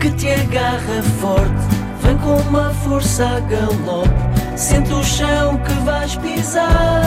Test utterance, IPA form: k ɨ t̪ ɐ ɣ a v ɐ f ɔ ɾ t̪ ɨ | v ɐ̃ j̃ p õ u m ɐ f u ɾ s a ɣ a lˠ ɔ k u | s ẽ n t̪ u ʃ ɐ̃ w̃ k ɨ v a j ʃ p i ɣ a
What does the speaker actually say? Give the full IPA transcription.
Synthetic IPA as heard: k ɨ t̪ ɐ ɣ a ʁ ɐ f ɔ ɾ t̪ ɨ | v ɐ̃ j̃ k õ u m ɐ f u ɾ s a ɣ ɐ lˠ ɔ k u | s ẽ n t̪ u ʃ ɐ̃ w̃ k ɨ v a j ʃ p i z a